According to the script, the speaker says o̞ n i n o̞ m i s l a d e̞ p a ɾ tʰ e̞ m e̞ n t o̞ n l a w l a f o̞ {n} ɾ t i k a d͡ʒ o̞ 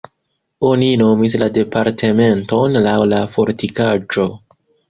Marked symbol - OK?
no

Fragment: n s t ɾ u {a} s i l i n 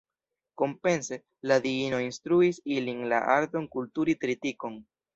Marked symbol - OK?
no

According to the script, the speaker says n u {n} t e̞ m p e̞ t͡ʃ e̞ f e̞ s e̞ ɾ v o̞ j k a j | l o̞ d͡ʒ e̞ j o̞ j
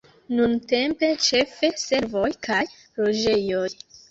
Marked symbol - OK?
yes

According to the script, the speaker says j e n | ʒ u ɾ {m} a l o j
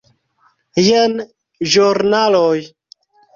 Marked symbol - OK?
no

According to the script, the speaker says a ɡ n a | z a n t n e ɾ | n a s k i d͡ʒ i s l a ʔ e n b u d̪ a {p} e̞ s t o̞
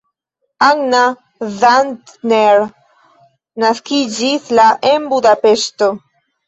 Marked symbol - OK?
yes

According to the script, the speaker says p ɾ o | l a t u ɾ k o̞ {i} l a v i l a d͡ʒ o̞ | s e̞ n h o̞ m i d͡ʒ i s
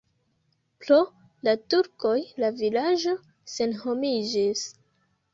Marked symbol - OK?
no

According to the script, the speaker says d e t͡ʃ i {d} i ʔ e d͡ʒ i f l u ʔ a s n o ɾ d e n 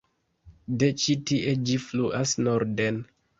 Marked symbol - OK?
no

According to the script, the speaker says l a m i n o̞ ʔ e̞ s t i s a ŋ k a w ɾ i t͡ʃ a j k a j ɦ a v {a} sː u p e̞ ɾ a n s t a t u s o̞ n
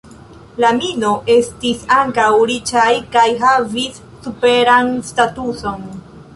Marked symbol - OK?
no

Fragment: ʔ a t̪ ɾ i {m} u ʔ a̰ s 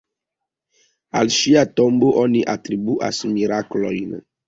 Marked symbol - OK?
no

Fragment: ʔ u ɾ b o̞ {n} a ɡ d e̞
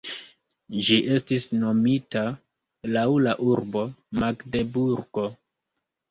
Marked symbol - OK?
no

